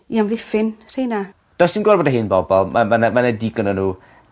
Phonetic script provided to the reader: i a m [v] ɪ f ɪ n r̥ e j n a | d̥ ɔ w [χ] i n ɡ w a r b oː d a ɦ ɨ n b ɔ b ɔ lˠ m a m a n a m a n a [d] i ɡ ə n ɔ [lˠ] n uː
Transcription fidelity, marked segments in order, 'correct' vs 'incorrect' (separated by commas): correct, incorrect, correct, incorrect